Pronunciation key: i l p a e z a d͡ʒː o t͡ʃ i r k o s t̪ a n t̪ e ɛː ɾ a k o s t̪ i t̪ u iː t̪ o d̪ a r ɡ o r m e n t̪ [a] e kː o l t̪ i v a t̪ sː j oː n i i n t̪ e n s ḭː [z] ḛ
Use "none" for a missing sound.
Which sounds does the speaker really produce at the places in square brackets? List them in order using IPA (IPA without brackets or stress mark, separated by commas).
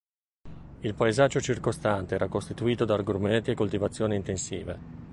i, v